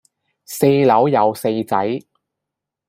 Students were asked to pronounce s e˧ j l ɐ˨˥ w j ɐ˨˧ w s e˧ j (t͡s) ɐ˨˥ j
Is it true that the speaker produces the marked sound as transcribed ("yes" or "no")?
yes